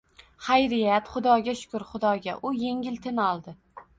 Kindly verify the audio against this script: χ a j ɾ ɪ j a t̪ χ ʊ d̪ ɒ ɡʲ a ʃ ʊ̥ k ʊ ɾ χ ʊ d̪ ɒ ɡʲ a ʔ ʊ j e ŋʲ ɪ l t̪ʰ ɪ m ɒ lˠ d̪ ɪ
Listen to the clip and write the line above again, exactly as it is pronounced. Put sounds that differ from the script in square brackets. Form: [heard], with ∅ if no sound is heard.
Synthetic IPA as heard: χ a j ɾ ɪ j a t̪ χ ʊ d̪ ɒ ɡʲ a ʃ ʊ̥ k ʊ ɾ χ ʊ d̪ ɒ ɡʲ a ʔ ʊ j e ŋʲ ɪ l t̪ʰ ɪ [n] ɒ lˠ d̪ ɪ

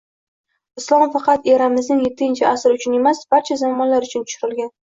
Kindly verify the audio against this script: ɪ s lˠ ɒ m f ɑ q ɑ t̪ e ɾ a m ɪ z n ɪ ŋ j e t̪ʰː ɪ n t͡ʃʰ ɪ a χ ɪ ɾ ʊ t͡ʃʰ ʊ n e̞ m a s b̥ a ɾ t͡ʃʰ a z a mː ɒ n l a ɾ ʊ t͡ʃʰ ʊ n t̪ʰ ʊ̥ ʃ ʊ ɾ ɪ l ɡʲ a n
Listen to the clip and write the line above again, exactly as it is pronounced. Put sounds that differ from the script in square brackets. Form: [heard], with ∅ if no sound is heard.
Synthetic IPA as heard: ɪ s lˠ ɒ m f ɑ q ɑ t̪ e ɾ a m ɪ z n ɪ ŋ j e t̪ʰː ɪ n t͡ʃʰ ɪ a [s] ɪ ɾ ʊ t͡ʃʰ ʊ n e̞ m a s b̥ a ɾ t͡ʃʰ a z a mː ɒ n l a ɾ ʊ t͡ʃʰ ʊ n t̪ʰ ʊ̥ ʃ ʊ ɾ ɪ l ɡʲ a n

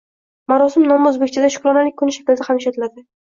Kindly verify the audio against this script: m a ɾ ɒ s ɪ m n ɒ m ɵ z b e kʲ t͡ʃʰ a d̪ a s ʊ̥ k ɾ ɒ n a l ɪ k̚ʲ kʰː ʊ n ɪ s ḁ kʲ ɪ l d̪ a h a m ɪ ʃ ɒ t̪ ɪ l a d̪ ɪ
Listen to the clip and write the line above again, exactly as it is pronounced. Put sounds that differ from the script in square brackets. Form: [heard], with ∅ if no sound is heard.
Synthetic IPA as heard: m a ɾ ɒ s ɪ m n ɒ m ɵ z b e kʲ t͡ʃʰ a d̪ a [ʃ] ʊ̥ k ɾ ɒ n a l ɪ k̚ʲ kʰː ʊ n ɪ [ʃ] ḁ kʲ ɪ l d̪ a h a m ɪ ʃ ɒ t̪ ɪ l a d̪ ɪ

